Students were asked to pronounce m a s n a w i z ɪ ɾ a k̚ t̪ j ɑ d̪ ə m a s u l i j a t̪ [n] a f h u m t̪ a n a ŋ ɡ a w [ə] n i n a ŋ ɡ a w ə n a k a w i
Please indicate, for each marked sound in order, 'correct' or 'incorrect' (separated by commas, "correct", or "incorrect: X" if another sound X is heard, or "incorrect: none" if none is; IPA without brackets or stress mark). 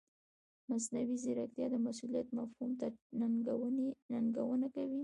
incorrect: m, correct